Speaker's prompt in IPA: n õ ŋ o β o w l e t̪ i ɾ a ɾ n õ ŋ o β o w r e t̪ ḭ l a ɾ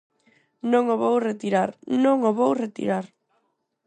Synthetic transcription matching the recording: n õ ŋ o β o w r e t̪ i ɾ a ɾ n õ ŋ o β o w r e t̪ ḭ ɾ a ɾ